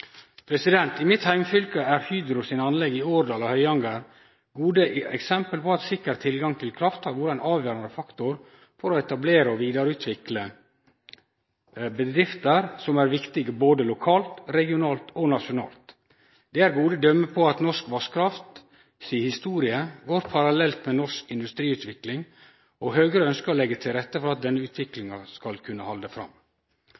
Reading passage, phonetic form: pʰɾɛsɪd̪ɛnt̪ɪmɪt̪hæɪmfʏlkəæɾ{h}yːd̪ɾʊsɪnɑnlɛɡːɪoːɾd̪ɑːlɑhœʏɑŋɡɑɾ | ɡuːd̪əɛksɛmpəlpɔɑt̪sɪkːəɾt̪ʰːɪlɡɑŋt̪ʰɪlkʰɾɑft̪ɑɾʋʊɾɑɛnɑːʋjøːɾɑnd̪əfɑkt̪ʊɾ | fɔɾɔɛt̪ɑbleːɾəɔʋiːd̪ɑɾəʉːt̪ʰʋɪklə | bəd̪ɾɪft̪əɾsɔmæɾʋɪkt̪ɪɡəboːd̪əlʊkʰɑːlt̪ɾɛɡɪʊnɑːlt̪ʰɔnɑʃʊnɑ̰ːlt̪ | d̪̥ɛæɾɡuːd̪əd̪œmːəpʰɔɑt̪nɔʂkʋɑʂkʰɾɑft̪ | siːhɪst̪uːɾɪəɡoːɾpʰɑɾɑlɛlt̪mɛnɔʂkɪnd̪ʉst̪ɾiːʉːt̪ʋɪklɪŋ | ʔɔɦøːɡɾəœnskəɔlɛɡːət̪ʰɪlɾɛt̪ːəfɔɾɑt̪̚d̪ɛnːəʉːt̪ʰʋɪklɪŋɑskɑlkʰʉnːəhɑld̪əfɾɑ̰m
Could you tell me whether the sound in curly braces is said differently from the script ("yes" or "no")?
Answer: no